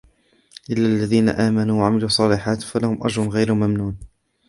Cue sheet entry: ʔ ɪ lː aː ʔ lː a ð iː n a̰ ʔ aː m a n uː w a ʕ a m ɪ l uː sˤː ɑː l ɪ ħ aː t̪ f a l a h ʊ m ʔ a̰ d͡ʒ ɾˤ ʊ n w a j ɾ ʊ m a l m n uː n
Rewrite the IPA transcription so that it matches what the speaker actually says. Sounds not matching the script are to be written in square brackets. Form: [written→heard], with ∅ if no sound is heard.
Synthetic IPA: ʔ ɪ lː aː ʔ lː a ð iː n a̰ ʔ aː m a n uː w a ʕ a m ɪ l uː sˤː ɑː l ɪ ħ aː t̪ f a l a h ʊ m ʔ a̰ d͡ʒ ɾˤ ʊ n [w→ɣ] a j ɾ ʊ m a [l→∅] m n uː n